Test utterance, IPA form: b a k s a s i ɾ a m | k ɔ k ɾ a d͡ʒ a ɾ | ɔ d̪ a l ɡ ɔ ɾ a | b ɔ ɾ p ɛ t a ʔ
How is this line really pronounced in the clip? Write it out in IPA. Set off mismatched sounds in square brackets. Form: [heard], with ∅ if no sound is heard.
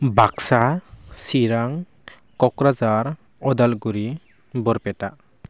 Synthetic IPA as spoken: b a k s a s i ɾ a [ŋ] | k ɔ k ɾ a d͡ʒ a ɾ | ɔ d̪ a l ɡ [u] ɾ [i] | b ɔ ɾ p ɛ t a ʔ